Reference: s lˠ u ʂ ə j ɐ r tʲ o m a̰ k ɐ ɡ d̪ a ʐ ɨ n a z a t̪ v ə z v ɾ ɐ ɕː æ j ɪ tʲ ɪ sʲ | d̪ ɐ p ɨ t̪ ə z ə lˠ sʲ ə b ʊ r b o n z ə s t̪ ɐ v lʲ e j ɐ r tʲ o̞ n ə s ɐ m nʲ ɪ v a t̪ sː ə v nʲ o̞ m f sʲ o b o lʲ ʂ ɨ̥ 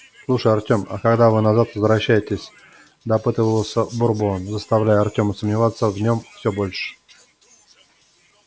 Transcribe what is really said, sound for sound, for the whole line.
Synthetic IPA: s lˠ u ʂ ə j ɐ r tʲ o m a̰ k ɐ ɡ d̪ a v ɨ n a z a t̪ v ə z v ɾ ɐ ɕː æ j ɪ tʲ ɪ sʲ | d̪ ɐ p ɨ t̪ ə v ə lˠ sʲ ə b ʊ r b o n z ə s t̪ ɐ v lʲ æ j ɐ r tʲ o̞ m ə s ə m nʲ ɪ v a t̪ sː ə v nʲ o̞ m f sʲ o b o lʲ ʂ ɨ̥